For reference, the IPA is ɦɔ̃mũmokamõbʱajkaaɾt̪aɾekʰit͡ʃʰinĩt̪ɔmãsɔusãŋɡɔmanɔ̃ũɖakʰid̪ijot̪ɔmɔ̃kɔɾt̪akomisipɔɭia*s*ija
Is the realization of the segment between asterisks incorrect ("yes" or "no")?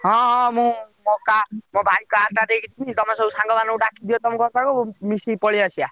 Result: no